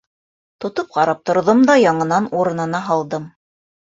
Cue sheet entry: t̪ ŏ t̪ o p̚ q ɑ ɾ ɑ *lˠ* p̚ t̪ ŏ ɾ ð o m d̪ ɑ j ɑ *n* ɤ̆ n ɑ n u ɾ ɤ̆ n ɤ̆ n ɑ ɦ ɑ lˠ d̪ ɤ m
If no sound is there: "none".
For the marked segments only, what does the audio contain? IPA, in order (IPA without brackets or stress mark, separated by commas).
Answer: none, ɴ